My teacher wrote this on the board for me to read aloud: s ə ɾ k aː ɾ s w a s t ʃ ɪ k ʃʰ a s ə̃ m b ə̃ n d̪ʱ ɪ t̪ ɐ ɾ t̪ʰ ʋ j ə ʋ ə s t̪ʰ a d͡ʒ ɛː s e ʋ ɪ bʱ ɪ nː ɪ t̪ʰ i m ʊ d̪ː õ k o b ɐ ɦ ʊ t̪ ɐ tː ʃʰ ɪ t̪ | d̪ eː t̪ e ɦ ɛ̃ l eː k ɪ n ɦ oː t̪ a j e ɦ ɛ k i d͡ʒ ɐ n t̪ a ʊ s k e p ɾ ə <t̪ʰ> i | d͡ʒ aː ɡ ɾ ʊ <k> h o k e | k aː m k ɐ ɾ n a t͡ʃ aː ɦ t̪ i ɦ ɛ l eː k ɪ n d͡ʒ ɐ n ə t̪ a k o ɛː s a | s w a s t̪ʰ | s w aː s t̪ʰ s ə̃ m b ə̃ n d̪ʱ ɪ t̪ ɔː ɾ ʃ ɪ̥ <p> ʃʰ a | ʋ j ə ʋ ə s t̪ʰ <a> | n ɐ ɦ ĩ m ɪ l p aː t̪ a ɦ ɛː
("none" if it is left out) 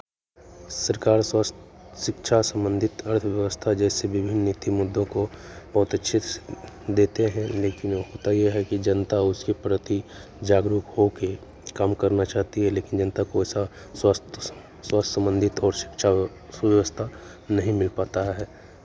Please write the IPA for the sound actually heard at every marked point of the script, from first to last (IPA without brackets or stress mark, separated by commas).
t̪, k, k, a